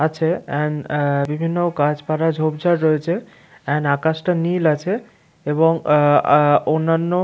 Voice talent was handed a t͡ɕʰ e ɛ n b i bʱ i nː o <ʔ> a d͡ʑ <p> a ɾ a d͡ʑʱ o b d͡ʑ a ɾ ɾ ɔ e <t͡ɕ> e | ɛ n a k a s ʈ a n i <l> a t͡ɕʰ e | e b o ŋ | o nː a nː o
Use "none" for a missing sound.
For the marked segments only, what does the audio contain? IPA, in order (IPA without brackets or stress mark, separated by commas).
k, p, t͡ɕʰ, l